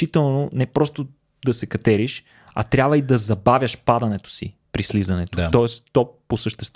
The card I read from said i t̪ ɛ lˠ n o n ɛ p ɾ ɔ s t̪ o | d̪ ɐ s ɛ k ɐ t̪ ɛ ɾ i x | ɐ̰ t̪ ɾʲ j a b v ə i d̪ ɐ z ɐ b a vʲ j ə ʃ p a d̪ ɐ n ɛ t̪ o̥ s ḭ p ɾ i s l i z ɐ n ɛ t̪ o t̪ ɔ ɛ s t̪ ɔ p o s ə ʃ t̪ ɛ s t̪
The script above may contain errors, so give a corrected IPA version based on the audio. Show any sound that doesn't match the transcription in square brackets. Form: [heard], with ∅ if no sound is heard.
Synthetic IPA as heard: i t̪ ɛ lˠ n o n ɛ p ɾ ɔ s t̪ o | d̪ ɐ s ɛ k ɐ t̪ ɛ ɾ i [ʃ] | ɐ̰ t̪ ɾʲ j a b v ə i d̪ ɐ z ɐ b a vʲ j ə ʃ p a d̪ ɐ n ɛ t̪ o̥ s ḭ p ɾ i s l i z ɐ n ɛ t̪ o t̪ ɔ ɛ s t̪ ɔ p o s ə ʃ t̪ ɛ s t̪